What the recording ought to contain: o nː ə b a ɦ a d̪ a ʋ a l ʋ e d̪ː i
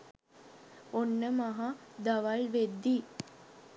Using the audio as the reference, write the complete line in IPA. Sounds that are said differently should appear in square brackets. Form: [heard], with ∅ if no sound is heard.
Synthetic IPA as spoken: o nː ə [m] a ɦ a d̪ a ʋ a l ʋ e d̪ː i